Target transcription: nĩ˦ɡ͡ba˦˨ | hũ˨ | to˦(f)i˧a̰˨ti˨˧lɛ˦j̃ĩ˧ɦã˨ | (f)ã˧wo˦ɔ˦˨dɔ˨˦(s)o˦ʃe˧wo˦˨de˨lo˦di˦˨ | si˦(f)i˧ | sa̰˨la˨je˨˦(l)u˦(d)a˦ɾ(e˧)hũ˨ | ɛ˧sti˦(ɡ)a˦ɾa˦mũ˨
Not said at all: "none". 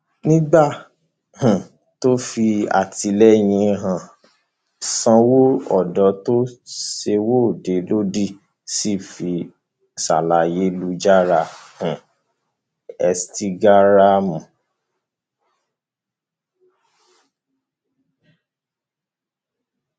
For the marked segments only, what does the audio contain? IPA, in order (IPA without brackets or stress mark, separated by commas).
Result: f, s, t, f, l, d͡ʒ, a˧, ɡ